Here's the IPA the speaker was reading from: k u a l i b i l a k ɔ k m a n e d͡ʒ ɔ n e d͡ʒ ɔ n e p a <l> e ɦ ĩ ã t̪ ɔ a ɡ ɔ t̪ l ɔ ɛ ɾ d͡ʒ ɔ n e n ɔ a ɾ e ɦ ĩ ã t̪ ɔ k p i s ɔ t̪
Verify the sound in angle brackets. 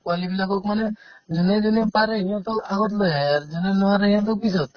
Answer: incorrect: ɾ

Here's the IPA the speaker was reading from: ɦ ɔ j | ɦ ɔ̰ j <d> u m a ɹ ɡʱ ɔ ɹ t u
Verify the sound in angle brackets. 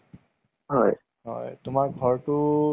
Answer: incorrect: t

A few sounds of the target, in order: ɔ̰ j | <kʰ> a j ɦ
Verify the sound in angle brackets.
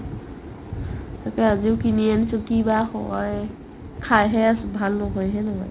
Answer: correct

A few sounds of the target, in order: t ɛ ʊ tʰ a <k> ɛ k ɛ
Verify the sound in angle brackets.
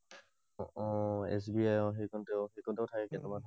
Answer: correct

